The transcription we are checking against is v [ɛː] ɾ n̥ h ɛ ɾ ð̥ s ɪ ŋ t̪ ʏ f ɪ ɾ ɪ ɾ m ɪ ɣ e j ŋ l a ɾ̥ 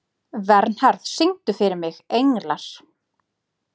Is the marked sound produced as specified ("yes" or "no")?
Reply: no